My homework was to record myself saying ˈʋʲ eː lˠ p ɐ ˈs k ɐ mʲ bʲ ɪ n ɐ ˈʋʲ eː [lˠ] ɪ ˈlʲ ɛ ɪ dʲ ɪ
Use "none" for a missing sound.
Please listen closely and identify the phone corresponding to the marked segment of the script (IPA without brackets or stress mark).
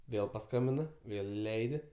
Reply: lˠ